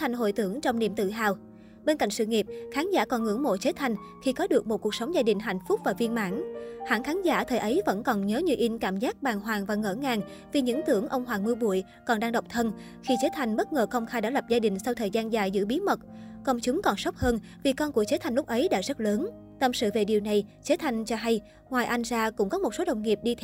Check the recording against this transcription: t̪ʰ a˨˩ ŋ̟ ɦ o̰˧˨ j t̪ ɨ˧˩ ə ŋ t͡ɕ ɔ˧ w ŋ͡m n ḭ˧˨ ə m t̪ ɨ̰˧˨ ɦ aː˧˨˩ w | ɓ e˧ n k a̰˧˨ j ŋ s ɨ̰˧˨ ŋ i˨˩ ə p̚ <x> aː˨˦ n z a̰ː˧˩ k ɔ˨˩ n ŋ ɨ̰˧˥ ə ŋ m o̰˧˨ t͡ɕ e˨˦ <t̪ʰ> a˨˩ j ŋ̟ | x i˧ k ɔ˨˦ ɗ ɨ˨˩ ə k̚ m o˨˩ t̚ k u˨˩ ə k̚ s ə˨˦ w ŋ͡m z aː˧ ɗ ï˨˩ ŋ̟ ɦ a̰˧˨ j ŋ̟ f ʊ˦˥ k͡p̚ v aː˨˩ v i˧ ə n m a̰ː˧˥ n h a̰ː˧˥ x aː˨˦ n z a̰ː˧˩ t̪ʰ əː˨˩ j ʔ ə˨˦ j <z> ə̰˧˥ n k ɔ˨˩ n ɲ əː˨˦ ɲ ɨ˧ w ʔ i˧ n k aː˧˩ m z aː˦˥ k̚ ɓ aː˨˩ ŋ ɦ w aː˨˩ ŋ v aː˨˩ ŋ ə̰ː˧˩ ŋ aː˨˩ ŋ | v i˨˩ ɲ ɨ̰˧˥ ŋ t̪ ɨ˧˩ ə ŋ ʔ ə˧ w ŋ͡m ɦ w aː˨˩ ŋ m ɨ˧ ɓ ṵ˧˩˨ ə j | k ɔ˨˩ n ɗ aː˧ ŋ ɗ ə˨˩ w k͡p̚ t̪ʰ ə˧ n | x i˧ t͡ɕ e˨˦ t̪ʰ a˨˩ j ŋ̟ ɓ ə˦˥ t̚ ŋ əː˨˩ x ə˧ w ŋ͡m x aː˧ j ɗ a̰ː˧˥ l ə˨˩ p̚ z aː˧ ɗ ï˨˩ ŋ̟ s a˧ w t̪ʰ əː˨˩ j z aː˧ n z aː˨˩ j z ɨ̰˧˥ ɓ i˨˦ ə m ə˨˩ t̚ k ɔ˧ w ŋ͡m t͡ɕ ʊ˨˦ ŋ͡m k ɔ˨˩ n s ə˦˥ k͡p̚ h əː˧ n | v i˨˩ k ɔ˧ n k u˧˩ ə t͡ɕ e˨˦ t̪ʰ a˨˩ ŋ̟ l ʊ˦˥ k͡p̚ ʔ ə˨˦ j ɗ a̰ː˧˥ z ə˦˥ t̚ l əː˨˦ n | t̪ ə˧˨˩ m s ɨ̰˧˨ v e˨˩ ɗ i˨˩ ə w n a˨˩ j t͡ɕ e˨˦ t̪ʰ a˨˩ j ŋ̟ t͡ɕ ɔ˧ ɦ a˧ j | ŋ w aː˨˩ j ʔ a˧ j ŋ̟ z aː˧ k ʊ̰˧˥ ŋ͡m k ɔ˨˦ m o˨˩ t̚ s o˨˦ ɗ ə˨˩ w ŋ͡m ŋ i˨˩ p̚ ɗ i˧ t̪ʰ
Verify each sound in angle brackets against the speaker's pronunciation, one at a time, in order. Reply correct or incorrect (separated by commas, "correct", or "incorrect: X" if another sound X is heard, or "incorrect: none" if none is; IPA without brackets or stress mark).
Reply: correct, correct, incorrect: v